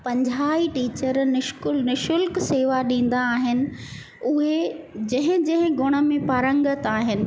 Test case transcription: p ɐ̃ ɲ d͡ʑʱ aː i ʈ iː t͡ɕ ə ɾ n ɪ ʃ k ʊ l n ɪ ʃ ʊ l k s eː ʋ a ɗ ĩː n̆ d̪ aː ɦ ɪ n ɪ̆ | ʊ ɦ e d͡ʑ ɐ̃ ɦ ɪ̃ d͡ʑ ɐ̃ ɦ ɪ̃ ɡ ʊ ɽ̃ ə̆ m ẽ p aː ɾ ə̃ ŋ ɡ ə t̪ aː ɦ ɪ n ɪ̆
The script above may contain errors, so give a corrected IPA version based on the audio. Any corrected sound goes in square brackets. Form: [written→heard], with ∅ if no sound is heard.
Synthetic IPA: p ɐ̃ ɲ d͡ʑʱ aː i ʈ iː t͡ɕ ə ɾ n ɪ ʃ k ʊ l n ɪ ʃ ʊ l k s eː ʋ a ɗ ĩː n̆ d̪ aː ɦ ɪ n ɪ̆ | ʊ ɦ e d͡ʑ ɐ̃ ɦ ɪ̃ d͡ʑ ɐ̃ ɦ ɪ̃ ɡ ʊ ɽ̃ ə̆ m ẽ p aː ɾ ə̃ ŋ ɡ ə t̪ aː ɦ ɪ n ɪ̆